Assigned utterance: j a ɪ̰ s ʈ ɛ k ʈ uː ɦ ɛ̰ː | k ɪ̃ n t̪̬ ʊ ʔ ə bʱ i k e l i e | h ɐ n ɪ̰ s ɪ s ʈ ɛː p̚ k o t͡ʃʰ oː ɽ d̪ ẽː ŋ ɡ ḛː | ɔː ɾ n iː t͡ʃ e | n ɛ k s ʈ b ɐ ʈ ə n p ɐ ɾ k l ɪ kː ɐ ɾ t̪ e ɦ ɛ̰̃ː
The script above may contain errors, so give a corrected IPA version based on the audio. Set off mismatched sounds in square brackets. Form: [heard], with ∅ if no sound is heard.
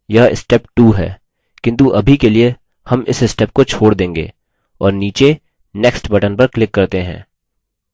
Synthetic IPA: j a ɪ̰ s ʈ ɛ [p] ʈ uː ɦ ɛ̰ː | k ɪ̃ n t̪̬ [u] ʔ [ɐ] bʱ i k e l i e | h ɐ [m] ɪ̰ s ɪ s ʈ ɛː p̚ k o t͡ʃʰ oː ɽ d̪ ẽː ŋ ɡ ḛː | ɔː ɾ n iː t͡ʃ e | n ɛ k s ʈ b ɐ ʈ ə n p ɐ ɾ k l ɪ kː ɐ ɾ t̪ e ɦ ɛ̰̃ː